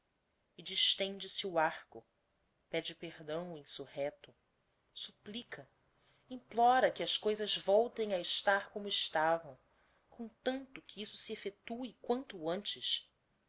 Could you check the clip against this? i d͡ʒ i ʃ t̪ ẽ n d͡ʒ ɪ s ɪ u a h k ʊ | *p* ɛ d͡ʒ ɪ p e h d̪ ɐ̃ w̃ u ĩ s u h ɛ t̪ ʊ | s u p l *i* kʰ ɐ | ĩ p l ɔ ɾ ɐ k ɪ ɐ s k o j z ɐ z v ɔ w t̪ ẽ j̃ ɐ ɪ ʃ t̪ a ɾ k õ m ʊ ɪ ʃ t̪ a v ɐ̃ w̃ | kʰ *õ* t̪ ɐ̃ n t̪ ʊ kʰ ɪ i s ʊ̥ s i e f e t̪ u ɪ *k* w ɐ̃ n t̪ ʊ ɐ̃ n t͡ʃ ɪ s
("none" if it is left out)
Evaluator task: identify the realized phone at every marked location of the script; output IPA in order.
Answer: p, i, õ, k

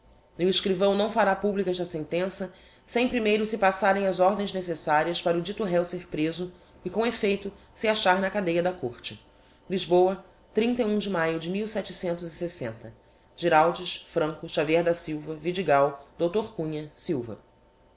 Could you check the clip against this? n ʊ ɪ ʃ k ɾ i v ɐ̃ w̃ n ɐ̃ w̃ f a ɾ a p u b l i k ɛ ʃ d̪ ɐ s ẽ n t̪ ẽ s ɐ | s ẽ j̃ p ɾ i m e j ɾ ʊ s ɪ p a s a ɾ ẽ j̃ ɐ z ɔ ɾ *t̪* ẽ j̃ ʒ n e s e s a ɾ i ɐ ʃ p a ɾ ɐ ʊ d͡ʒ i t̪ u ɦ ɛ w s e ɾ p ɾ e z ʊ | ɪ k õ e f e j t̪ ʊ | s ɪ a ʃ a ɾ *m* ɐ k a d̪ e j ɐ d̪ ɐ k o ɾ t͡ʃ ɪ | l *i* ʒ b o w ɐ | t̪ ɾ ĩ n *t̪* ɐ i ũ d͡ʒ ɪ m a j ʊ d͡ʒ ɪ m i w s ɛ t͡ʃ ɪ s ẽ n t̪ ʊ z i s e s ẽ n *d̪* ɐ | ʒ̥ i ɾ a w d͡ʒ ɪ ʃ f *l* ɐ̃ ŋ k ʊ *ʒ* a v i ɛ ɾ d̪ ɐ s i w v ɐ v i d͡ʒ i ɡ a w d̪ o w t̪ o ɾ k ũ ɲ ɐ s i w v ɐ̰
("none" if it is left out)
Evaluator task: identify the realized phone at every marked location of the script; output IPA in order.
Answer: d̪, n, i, t̪, t̪, ɾ, ʃ

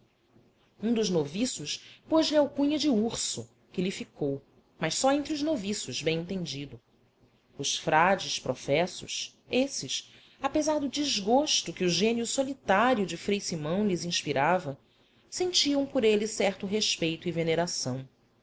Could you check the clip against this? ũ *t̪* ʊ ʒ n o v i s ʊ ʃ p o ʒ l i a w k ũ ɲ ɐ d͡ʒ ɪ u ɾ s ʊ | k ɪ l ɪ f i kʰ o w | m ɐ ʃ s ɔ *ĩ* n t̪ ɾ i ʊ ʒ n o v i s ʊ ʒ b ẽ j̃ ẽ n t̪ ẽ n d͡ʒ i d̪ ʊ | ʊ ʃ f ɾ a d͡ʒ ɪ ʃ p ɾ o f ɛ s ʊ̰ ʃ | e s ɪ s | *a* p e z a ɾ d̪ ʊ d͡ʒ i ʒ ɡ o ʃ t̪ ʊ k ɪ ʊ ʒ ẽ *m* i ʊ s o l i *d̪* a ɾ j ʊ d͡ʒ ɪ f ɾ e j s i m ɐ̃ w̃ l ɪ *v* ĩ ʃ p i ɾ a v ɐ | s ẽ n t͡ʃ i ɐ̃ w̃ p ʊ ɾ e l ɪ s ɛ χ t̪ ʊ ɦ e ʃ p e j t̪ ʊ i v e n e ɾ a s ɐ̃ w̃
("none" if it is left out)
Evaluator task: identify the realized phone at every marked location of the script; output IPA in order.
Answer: d̪, ẽ, a, n, t̪, z

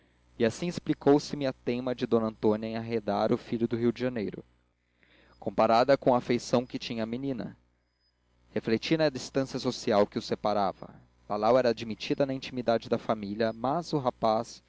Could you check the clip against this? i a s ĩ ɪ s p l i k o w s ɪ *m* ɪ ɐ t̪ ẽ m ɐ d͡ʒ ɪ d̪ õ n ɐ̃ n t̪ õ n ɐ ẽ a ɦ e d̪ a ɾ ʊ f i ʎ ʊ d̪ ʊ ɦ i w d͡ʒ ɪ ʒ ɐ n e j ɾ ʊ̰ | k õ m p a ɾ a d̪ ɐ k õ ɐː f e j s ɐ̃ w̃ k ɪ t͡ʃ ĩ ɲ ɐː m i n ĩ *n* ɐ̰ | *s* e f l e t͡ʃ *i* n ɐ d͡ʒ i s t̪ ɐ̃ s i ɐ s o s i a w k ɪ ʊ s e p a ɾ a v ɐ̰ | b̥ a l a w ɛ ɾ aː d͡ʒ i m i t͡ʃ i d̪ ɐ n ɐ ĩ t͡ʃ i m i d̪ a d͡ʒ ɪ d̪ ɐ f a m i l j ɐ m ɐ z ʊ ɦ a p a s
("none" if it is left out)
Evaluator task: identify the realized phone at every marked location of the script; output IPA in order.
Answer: m, n, h, i

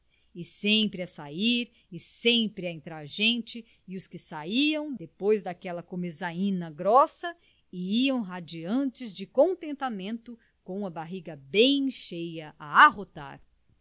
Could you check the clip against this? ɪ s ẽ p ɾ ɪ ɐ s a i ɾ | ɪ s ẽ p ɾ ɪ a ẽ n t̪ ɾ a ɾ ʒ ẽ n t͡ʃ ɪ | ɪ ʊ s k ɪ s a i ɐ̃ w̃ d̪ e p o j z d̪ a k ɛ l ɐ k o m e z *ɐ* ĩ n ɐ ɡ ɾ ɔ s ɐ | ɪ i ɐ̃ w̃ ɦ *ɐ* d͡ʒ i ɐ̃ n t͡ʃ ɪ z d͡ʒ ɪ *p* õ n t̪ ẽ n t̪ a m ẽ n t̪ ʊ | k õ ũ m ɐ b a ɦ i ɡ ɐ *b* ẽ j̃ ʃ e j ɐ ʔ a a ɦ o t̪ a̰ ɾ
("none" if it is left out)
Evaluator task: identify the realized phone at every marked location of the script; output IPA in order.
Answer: a, a, k, b

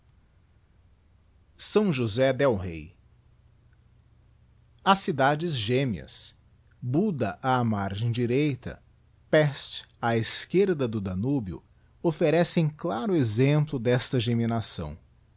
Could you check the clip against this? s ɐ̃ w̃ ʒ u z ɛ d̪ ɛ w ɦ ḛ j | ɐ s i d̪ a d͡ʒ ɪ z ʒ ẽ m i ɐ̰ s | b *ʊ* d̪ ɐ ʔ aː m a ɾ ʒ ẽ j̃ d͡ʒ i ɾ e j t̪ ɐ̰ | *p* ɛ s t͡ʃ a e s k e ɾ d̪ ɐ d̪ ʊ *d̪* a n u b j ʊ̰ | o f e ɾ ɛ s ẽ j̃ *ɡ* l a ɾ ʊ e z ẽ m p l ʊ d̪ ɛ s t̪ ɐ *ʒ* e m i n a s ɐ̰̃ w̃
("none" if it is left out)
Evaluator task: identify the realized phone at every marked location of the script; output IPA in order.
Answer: u, p, d̪, k, ʒ

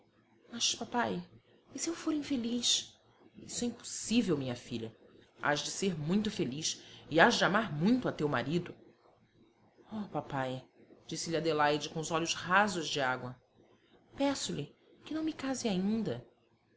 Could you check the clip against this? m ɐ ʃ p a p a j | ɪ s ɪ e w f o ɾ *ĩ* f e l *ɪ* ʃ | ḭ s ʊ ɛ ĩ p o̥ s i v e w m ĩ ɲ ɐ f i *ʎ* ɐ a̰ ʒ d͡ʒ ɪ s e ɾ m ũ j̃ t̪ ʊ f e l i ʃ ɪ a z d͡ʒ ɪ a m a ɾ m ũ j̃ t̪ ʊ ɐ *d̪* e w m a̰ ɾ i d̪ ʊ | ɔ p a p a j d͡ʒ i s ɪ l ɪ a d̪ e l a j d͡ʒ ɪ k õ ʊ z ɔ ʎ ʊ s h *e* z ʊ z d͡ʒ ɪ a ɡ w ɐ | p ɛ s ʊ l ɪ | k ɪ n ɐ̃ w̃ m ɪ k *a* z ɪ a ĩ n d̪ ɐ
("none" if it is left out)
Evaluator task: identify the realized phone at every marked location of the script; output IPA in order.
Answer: ĩ, i, ʎ, t̪, a, a

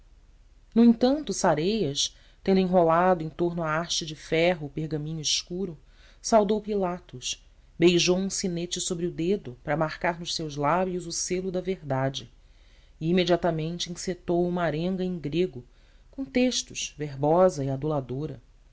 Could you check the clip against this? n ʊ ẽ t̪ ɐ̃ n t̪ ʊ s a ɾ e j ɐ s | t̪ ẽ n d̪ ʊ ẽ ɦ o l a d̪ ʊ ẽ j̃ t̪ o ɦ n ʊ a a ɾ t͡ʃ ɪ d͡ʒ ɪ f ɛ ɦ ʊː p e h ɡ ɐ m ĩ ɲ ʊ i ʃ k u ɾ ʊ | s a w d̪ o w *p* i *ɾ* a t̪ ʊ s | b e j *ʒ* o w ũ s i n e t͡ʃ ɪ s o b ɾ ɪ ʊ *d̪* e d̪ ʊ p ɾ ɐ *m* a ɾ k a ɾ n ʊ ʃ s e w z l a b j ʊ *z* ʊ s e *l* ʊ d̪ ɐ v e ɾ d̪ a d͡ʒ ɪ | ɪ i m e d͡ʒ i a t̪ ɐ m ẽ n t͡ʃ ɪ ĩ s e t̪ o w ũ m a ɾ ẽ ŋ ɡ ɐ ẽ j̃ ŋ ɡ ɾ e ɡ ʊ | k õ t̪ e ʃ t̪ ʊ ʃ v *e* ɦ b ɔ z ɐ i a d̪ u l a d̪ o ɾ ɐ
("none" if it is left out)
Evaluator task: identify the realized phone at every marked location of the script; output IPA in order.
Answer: p, l, ʒ, d̪, m, z, l, e

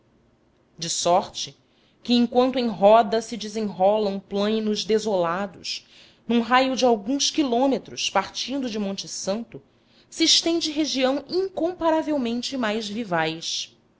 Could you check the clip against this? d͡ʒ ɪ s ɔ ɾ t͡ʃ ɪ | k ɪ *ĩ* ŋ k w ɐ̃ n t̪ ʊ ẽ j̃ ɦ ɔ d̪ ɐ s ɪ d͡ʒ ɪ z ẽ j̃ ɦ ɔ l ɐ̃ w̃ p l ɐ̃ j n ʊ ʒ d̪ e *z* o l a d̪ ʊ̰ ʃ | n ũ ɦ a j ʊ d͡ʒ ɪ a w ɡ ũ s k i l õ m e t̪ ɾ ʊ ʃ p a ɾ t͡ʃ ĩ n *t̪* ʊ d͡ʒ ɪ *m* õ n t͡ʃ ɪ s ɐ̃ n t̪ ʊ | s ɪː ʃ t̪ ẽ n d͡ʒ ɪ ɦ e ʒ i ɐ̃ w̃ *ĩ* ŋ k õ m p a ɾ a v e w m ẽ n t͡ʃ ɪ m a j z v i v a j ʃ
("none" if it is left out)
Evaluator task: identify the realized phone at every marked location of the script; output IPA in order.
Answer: ẽ, z, d̪, m, ĩ

